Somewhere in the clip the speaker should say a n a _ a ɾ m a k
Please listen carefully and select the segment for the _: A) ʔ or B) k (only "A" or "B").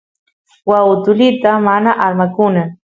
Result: A